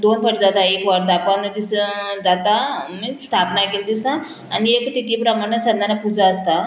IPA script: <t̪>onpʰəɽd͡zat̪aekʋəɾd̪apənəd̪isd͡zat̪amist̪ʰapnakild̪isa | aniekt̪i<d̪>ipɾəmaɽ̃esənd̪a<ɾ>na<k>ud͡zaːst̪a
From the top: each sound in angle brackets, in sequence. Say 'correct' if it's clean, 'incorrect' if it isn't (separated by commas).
incorrect, incorrect, incorrect, incorrect